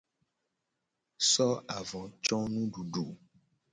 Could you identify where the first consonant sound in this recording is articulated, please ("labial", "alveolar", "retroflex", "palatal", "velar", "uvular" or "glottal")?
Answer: alveolar